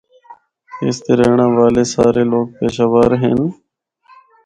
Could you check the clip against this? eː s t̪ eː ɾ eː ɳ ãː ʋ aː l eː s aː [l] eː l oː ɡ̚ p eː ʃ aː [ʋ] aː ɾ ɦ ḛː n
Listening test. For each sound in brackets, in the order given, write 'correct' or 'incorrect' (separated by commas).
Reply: incorrect, correct